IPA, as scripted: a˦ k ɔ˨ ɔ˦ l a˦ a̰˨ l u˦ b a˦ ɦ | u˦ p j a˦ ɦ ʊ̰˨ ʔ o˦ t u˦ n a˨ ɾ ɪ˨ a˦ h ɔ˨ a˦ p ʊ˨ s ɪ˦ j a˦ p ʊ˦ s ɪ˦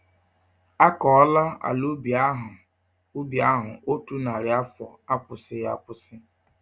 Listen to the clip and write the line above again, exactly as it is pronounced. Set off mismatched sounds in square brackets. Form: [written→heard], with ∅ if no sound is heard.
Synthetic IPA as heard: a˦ k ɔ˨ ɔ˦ l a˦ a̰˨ l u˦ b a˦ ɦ | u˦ [p→b] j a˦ ɦ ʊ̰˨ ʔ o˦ t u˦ n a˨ ɾ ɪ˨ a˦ [h→f] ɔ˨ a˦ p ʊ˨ s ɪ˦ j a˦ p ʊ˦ s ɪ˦